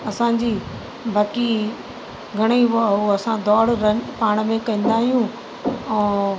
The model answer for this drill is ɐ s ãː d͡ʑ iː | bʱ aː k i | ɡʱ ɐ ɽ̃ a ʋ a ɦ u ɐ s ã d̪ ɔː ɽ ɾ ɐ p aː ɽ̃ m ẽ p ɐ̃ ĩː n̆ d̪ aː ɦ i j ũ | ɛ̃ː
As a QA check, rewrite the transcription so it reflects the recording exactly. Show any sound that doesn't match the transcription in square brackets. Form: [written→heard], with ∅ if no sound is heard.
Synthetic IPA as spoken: ɐ s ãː d͡ʑ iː | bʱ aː k i | ɡʱ ɐ ɽ̃ [a→i] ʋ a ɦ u ɐ s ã d̪ ɔː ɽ ɾ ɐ p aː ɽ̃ m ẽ [p→k] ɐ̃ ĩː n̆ d̪ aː ɦ i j ũ | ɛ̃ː